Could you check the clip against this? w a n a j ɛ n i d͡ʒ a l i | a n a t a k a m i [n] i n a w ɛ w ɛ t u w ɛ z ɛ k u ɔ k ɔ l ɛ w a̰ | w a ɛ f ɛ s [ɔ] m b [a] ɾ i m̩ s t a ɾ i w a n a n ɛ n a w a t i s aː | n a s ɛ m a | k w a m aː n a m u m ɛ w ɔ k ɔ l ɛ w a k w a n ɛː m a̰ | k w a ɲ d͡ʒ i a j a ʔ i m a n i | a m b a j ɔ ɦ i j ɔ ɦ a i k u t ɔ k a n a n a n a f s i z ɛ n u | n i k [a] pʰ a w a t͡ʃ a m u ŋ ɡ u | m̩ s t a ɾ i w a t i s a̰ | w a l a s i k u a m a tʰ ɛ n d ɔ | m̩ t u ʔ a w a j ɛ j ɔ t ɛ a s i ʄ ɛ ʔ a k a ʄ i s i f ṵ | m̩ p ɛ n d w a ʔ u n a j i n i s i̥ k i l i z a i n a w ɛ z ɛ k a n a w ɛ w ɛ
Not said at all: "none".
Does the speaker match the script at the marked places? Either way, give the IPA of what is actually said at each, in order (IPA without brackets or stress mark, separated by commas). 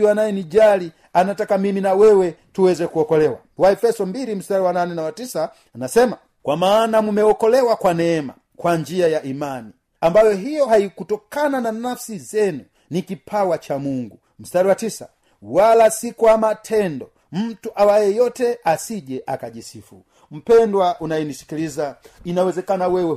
m, ɔ, i, i